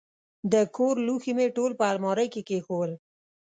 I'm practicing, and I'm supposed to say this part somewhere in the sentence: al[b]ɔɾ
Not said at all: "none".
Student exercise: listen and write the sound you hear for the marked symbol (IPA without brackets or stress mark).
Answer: m